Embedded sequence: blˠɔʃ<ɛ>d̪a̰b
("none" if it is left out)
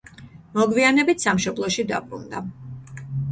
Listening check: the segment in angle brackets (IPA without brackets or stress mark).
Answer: i